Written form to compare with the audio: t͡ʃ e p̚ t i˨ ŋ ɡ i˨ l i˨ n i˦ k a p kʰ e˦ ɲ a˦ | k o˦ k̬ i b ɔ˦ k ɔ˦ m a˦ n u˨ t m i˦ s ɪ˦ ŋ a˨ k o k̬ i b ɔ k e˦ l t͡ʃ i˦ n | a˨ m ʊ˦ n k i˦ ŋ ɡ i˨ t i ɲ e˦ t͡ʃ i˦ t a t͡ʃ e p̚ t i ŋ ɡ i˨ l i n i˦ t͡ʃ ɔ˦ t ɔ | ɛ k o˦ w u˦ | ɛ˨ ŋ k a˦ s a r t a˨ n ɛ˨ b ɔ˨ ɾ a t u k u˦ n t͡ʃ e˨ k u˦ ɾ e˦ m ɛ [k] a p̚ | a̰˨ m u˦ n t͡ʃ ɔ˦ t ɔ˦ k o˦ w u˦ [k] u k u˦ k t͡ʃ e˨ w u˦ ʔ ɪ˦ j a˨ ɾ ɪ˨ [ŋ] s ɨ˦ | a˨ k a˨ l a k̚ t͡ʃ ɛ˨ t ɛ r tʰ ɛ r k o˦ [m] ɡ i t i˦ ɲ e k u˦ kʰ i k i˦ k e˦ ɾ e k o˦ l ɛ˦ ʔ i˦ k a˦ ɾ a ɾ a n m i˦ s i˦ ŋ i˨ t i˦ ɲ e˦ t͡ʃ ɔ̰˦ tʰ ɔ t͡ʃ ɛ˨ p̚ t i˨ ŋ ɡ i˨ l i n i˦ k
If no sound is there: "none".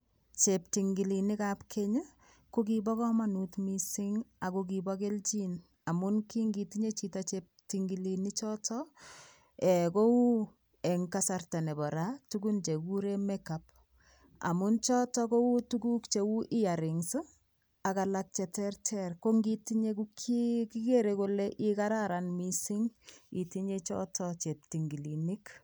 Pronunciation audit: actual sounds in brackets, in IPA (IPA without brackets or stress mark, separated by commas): k, t, ŋ, ŋ